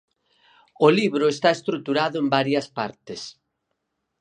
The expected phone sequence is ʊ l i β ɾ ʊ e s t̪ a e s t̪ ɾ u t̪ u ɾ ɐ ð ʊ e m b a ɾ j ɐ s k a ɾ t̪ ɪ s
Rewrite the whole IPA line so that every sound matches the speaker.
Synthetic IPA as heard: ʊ l i β ɾ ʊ e s t̪ a e s t̪ ɾ u t̪ u ɾ a ð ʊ e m b a ɾ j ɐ s p a ɾ t̪ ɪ s